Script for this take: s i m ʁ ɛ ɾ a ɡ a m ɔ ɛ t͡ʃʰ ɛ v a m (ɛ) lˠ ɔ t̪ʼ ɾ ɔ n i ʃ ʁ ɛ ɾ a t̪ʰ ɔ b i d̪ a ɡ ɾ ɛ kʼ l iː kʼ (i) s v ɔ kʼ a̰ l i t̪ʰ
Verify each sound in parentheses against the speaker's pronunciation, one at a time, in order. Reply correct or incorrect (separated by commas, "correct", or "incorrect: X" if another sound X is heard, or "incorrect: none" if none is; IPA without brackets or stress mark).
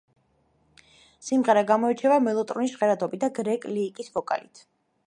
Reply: correct, correct